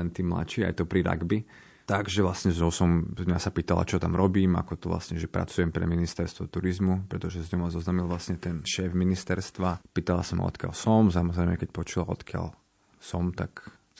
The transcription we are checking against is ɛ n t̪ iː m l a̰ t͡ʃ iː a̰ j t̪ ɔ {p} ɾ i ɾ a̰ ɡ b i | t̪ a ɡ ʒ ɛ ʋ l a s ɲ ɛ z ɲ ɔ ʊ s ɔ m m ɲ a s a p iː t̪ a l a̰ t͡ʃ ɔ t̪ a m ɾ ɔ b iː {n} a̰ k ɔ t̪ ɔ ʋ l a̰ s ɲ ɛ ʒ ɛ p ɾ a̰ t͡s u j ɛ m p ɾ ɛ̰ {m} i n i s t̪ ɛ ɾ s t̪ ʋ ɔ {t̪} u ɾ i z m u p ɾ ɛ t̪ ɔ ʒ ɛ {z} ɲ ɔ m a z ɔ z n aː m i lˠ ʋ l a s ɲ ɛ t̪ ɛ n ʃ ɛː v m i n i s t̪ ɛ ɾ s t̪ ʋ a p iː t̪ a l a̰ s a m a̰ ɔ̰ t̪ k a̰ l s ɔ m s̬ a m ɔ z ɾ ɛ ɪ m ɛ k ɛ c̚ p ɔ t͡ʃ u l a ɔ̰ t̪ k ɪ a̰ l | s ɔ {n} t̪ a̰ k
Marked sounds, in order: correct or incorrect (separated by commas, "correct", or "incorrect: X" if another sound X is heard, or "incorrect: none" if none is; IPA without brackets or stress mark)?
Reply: correct, incorrect: m, correct, correct, correct, incorrect: m